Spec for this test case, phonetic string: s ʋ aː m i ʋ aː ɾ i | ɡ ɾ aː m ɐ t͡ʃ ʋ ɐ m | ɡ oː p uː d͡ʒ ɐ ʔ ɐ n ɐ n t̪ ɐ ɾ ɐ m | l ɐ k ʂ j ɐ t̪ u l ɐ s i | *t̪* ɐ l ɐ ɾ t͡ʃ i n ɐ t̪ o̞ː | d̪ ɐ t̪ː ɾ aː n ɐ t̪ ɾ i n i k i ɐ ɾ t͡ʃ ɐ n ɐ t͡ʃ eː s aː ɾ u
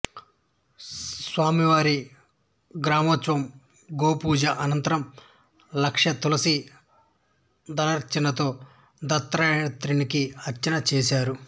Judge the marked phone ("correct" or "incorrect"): incorrect